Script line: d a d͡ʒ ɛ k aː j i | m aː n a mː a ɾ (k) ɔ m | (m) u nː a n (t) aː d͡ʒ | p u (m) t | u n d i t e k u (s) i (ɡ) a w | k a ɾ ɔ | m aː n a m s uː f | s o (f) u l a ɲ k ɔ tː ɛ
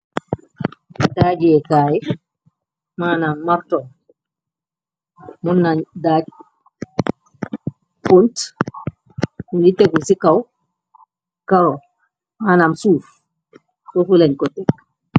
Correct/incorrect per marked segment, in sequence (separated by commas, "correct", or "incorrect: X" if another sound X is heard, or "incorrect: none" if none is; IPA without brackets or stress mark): incorrect: t, correct, incorrect: d, incorrect: n, correct, incorrect: k, correct